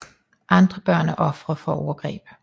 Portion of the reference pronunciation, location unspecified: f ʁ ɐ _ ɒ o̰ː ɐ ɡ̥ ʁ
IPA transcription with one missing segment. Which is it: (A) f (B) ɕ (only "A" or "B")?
A